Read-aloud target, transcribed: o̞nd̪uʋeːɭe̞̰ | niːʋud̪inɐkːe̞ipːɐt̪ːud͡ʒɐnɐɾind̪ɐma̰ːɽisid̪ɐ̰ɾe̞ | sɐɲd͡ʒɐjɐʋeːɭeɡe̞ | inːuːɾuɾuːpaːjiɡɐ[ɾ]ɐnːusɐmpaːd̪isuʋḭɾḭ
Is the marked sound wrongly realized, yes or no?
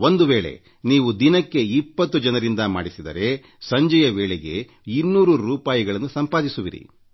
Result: yes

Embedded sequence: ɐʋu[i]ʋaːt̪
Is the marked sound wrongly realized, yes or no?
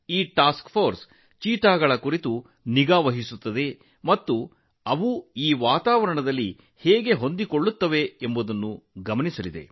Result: yes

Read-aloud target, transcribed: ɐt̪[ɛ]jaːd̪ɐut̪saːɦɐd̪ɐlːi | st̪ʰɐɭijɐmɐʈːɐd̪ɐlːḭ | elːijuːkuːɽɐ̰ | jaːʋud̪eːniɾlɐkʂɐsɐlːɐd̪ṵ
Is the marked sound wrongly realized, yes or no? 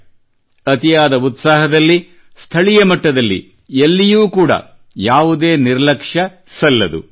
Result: yes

